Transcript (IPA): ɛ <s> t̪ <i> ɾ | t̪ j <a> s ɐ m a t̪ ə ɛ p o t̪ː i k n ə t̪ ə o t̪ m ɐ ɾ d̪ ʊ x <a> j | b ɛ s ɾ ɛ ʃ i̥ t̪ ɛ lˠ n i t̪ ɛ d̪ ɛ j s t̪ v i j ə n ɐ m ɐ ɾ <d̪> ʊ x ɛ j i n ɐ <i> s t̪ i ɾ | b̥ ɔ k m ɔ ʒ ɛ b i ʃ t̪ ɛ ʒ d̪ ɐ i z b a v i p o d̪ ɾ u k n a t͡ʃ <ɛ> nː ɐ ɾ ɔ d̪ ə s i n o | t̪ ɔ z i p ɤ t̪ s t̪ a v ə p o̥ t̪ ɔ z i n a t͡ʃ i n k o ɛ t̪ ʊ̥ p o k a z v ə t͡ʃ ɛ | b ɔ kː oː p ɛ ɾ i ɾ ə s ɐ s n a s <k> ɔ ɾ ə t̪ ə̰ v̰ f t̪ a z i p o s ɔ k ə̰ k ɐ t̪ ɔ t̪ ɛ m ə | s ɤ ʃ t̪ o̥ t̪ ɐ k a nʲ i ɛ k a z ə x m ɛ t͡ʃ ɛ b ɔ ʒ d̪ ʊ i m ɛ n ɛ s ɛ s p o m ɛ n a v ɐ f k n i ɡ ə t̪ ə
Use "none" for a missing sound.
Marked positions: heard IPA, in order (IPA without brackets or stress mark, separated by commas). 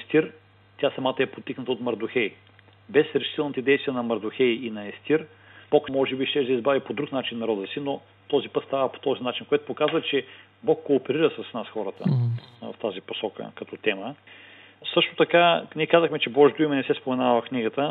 s, i, a, ɛ, d̪, ɛ, i, x